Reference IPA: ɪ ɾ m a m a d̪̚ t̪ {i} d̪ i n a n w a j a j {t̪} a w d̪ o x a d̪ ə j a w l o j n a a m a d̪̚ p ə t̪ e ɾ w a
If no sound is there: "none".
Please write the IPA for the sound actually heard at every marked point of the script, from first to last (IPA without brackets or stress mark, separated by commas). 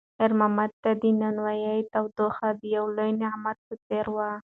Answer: a, t̪